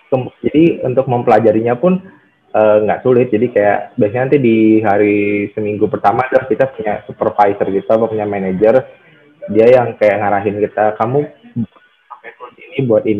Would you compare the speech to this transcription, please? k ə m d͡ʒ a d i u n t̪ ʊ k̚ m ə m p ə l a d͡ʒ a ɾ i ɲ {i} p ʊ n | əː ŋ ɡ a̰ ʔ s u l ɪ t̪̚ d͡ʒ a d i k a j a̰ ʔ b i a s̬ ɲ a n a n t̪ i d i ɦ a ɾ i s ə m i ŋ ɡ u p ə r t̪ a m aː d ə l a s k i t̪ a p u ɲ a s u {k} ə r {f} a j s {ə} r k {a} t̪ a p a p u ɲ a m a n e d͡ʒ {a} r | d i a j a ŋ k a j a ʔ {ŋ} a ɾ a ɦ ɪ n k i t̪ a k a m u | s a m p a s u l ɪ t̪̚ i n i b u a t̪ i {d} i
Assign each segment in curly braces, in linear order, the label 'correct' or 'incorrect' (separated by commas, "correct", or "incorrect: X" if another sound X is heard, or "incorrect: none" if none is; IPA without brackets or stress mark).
incorrect: a, incorrect: p, correct, correct, incorrect: i, incorrect: ə, correct, incorrect: n